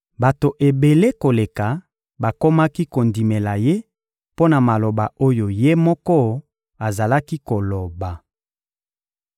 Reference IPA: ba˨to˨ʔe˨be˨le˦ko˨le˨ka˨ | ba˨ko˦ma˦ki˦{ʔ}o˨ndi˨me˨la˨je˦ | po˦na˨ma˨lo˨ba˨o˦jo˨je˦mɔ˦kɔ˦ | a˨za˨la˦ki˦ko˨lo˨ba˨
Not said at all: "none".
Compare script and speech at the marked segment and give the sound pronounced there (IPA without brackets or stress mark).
k